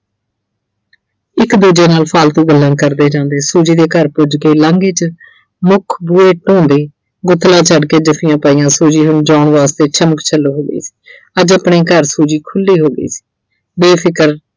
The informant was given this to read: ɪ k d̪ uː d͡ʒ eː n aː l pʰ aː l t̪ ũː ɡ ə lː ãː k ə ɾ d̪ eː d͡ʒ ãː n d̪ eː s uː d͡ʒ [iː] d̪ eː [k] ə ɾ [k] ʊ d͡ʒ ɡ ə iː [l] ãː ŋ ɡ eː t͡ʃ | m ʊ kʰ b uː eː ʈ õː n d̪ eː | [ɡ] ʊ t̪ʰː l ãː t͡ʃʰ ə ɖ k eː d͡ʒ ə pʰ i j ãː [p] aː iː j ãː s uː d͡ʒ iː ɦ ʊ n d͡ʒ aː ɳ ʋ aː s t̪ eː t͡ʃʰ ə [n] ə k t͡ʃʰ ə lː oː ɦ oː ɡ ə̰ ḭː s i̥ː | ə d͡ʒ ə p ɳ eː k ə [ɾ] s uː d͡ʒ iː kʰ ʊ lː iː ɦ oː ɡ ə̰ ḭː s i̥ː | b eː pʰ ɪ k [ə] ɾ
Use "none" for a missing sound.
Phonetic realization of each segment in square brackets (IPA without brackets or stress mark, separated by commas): iː, k, p, l, ɡ, p, m, ɾ, ə